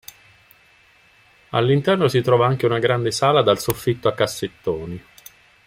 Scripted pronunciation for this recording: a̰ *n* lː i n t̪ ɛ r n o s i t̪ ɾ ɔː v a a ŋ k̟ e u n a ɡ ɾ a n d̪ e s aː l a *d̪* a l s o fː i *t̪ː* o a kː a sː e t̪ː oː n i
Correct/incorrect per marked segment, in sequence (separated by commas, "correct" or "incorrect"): incorrect, correct, correct